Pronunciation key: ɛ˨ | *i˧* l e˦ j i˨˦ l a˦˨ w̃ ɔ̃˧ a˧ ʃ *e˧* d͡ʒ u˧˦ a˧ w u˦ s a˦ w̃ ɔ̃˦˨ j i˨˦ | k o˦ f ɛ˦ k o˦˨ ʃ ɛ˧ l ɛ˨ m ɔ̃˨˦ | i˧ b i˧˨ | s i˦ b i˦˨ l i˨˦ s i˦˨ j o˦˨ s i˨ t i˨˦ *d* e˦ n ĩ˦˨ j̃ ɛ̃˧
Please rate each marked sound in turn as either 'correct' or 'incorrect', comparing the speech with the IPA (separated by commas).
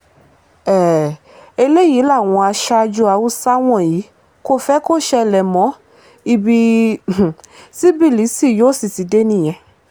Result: incorrect, incorrect, correct